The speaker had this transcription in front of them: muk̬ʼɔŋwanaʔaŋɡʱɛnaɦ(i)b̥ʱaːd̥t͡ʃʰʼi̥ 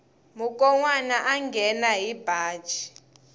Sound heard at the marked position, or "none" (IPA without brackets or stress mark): i